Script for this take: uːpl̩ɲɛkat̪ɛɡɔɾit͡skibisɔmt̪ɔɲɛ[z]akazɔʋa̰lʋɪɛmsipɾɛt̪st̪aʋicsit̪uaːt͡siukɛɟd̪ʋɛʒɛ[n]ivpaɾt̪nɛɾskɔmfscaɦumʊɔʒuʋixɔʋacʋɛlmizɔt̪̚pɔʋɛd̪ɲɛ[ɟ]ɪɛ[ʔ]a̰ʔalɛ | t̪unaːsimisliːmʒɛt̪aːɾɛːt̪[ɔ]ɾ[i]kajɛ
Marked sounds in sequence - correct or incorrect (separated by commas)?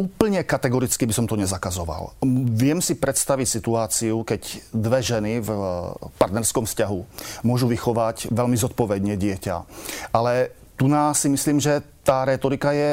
correct, correct, correct, incorrect, correct, correct